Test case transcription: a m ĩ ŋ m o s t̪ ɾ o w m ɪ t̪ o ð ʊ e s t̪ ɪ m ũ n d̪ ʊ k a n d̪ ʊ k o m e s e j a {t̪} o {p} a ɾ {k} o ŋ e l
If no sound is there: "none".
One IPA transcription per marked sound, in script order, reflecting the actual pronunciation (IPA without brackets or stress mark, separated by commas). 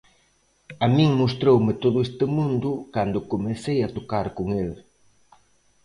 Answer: t̪, k, k